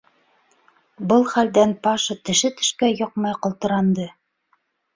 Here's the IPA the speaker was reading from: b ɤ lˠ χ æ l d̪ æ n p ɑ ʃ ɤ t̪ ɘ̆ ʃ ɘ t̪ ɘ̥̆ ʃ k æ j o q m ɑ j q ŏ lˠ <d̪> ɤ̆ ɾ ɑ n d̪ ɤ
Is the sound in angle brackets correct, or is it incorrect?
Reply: incorrect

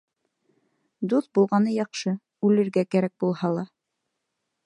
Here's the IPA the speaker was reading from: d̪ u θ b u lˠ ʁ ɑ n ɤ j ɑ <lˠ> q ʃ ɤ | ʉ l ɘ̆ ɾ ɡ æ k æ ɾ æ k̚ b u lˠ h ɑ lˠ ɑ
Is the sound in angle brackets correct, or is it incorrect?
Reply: incorrect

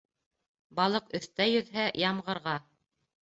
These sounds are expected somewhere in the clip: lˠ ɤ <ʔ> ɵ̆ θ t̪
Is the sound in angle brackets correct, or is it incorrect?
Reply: incorrect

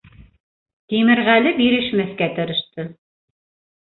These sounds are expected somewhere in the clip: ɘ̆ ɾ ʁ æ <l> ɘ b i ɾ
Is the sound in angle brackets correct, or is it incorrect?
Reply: correct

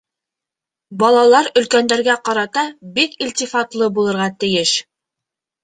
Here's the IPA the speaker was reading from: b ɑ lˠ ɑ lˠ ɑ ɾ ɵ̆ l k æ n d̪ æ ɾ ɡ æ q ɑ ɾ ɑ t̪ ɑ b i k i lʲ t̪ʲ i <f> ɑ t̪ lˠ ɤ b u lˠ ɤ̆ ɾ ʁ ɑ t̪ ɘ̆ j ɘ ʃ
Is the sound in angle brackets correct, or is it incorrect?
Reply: correct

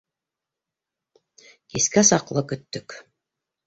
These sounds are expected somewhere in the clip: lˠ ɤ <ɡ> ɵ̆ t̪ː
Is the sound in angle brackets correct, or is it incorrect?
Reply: incorrect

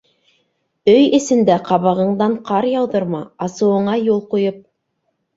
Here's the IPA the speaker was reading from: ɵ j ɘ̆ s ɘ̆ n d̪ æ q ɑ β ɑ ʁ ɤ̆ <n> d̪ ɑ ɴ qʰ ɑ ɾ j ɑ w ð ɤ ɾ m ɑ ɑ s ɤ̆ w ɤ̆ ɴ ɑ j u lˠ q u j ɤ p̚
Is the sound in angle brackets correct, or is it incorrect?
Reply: incorrect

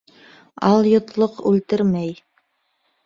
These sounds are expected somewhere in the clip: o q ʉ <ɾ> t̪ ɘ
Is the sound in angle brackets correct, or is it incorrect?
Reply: incorrect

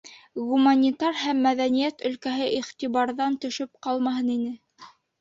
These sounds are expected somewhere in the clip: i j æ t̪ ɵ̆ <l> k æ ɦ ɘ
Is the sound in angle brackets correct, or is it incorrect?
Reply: correct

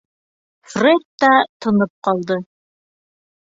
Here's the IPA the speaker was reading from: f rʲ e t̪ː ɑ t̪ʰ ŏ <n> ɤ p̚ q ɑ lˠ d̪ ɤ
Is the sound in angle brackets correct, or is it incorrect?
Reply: correct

